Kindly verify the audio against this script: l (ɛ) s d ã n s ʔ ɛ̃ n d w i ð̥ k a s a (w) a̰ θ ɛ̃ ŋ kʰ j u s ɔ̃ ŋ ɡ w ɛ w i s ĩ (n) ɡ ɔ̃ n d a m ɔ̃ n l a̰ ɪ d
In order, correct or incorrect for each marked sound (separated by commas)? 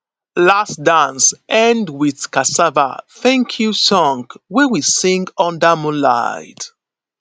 incorrect, incorrect, incorrect